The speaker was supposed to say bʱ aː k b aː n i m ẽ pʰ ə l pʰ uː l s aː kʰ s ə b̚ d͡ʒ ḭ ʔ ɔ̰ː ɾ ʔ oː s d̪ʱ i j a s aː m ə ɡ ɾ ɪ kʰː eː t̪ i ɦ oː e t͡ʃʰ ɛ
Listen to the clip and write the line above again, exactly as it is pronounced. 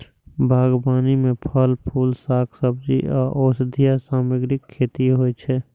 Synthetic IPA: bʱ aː ɡ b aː n i m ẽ pʰ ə l pʰ uː l s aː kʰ s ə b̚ d͡ʒ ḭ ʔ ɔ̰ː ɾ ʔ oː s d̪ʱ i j a s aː m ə ɡ ɾ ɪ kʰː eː t̪ i ɦ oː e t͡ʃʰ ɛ